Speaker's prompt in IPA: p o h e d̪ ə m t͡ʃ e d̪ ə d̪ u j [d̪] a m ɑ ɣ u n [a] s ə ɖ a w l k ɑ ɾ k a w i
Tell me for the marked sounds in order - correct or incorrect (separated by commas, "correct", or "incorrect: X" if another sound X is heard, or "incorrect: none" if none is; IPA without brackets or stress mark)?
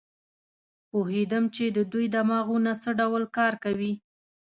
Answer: correct, correct